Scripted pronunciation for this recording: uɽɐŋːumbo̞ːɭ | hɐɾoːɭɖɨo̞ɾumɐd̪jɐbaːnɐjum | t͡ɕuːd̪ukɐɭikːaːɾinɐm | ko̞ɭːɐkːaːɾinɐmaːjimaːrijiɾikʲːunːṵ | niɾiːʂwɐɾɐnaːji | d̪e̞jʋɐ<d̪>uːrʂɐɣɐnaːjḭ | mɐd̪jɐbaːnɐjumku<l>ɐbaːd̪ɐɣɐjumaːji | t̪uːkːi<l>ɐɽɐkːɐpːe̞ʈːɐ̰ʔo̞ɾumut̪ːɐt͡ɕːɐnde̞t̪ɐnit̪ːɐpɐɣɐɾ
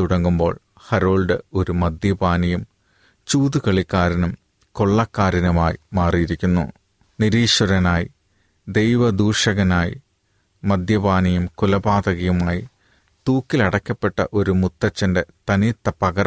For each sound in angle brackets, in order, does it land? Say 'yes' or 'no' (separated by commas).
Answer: yes, yes, yes